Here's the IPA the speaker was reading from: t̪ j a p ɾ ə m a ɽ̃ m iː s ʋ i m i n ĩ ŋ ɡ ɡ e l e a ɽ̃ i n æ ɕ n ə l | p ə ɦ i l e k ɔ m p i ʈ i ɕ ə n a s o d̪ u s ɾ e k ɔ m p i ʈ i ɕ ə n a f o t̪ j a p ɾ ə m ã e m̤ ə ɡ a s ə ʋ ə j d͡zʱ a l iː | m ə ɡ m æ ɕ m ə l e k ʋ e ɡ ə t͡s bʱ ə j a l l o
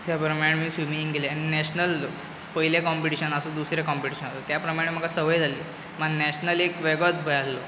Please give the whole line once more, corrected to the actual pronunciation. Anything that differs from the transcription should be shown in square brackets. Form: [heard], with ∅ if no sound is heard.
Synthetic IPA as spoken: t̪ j a p ɾ ə m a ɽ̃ m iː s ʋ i m i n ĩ ŋ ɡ ɡ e l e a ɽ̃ i n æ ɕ n ə l | p ə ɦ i l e k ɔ m p i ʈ i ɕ ə n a s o d̪ u s ɾ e k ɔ m p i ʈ i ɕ ə n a [s] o t̪ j a p ɾ ə m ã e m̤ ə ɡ a s ə ʋ ə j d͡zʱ a l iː | m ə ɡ [n] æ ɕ [n] ə l e k ʋ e ɡ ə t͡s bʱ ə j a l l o